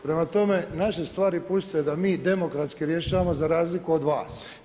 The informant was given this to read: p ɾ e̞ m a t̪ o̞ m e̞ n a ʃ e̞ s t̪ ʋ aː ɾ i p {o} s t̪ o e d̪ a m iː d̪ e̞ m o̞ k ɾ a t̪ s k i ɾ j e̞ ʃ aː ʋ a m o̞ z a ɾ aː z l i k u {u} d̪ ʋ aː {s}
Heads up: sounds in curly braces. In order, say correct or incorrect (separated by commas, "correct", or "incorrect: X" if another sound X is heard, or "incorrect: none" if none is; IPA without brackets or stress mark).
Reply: incorrect: u, incorrect: o, correct